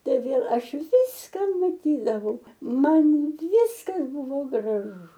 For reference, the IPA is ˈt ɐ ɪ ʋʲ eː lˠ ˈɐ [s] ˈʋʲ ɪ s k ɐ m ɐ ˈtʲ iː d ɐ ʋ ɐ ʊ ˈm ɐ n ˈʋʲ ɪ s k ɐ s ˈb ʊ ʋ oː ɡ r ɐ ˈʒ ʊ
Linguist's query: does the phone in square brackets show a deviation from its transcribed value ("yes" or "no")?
yes